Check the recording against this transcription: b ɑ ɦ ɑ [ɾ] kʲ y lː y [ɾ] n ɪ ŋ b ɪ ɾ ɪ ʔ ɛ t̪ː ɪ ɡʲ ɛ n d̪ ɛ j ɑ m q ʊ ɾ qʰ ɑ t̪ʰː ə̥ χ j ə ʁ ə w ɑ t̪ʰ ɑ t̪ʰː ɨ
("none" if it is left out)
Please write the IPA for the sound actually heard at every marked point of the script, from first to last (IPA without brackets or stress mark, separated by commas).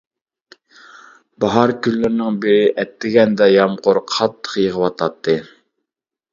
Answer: ɾ, ɾ